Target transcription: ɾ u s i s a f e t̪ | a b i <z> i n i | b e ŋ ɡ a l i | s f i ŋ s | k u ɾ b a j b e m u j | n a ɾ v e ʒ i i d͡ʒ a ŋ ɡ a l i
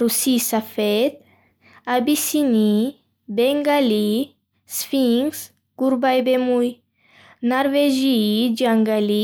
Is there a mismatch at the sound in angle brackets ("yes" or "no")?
yes